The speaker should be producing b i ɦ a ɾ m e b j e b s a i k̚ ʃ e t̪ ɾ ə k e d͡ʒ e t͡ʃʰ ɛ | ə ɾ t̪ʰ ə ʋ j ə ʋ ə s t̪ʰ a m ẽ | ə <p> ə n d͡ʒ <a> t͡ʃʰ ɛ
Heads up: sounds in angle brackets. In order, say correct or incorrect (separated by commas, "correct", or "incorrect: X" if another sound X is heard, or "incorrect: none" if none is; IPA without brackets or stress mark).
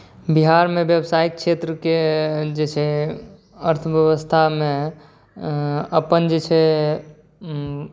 correct, incorrect: e